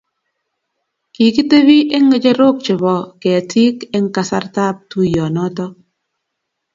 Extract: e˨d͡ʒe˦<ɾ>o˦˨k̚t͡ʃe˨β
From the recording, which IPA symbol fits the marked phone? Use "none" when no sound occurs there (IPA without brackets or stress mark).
ɾ